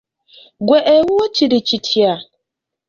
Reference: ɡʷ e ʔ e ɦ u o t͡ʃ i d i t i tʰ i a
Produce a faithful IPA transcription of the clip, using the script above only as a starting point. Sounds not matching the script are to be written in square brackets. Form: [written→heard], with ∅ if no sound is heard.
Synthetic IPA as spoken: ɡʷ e ʔ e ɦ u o t͡ʃ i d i [t→t͡ʃ] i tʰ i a

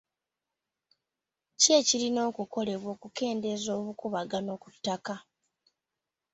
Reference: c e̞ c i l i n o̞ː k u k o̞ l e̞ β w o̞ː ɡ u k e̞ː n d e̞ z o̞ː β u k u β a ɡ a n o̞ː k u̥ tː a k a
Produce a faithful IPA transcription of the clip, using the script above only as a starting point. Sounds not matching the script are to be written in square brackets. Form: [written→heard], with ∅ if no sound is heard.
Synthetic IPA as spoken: c e̞ c i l i n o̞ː k u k o̞ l e̞ β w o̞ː [ɡ→k] u k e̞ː n d e̞ z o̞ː β u k u β a ɡ a n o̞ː k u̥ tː a k a

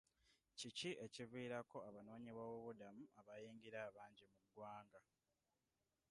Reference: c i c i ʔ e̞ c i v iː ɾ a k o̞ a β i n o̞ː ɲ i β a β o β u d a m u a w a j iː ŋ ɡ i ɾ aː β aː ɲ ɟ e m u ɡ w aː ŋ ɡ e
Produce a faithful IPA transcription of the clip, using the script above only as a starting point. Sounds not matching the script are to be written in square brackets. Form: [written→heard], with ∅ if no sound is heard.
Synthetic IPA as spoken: c i c i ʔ e̞ c i v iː ɾ a k o̞ a β [i→a] n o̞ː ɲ i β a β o β u d a m u a [w→β] a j iː ŋ ɡ i ɾ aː β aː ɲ ɟ [e→i] m u ɡ w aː ŋ ɡ [e→a]

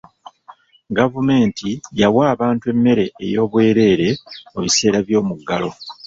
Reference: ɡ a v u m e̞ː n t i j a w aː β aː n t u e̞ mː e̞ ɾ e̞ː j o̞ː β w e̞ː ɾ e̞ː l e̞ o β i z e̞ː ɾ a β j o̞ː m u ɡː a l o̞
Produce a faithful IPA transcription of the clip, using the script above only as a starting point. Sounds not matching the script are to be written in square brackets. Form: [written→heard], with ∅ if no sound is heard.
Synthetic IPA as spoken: ɡ a v u m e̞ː n t i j a w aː β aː n t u e̞ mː e̞ ɾ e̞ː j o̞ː β w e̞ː ɾ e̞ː [l→ɾ] e̞ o β i [z→s] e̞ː ɾ a β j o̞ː m u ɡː a l o̞

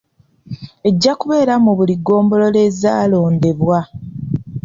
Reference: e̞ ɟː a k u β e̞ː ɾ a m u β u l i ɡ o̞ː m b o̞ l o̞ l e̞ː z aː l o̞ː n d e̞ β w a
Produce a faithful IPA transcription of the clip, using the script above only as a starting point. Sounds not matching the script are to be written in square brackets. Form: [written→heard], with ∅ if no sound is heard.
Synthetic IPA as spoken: e̞ ɟː a k u β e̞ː ɾ a m u β u l i ɡ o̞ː m b o̞ l o̞ l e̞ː z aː l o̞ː n d e̞ β w a

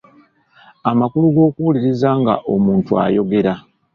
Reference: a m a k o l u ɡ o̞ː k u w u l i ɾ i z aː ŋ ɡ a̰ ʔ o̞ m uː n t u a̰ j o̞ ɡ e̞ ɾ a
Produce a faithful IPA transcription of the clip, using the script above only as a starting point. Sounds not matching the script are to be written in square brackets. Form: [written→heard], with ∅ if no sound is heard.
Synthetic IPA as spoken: a m a k [o→u] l u ɡ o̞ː k u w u l i ɾ i z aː ŋ ɡ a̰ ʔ o̞ m uː n t u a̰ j o̞ ɡ e̞ ɾ a

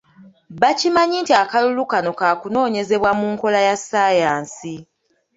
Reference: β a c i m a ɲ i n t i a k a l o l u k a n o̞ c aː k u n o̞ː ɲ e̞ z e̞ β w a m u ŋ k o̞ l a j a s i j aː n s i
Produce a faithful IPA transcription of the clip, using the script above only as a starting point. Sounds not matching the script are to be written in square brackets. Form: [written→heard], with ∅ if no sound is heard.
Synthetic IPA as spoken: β a c i m a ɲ i n t i a k a l [o→u] l u k a n o̞ [c→k] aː k u n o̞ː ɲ e̞ z e̞ β w a m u ŋ k o̞ l a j a s [i→a] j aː n s i

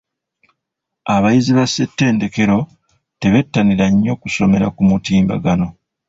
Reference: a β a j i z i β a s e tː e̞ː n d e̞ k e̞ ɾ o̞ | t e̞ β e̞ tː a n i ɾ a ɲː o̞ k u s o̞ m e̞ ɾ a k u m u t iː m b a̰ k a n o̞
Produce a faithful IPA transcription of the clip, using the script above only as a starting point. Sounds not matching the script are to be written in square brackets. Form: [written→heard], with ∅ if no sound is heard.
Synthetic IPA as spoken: a β a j i z i β a s e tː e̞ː n d e̞ k e̞ ɾ o̞ | t e̞ β e̞ tː a n i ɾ a ɲː o̞ k u s o̞ m e̞ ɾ a k u m u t iː m b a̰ [k→ɡ] a n o̞

